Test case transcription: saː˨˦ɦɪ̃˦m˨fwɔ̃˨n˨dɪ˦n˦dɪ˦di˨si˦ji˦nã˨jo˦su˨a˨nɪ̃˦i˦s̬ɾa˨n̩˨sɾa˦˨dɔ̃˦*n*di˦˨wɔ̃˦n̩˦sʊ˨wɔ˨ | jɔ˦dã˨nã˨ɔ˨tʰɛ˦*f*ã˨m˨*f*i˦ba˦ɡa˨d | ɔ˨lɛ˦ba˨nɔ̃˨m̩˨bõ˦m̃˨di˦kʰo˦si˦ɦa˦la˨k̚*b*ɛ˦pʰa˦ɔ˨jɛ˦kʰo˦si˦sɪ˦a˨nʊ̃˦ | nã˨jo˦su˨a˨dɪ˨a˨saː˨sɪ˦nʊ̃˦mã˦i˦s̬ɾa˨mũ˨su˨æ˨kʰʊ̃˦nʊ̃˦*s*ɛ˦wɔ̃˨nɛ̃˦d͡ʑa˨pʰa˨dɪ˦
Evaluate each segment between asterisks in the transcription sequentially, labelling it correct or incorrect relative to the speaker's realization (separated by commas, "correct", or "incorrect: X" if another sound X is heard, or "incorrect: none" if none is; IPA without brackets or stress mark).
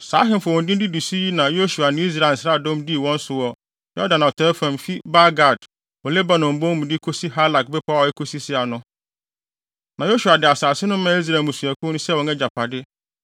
incorrect: m, correct, correct, correct, correct